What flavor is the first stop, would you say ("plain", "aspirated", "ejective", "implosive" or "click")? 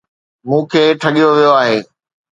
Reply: aspirated